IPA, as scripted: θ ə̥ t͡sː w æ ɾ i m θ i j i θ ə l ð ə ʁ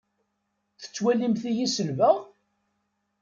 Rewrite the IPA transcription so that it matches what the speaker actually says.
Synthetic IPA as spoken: θ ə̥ t͡sː w æ l i m θ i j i s ə l v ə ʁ

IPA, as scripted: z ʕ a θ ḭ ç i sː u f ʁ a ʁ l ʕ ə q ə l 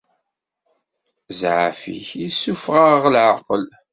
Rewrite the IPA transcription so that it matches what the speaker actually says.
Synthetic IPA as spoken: z ʕ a f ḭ ç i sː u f ʁ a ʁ l ʕ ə q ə l

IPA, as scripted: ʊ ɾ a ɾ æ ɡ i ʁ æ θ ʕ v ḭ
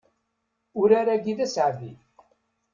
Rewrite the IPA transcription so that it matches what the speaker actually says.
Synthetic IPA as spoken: ʊ ɾ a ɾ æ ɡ i ð æ s ʕ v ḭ

